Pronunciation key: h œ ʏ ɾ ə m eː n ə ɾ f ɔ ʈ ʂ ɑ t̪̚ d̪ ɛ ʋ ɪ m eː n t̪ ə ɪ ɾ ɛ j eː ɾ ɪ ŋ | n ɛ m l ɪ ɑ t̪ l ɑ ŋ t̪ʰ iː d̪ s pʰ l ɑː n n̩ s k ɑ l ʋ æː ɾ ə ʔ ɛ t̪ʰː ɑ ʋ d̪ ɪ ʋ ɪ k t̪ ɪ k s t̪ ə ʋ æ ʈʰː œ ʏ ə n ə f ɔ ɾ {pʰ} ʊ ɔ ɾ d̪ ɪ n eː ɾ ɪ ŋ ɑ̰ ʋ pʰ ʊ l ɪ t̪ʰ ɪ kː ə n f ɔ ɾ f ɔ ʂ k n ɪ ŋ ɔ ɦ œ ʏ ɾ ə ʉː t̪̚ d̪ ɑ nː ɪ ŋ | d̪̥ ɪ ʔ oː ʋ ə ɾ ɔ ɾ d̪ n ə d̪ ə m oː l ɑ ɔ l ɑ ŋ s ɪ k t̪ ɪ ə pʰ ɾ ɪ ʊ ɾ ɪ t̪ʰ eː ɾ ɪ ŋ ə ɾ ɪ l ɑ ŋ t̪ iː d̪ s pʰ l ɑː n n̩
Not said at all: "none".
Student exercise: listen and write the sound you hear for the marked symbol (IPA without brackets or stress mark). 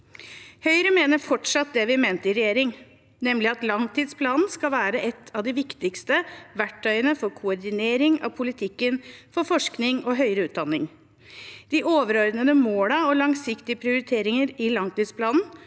kʰ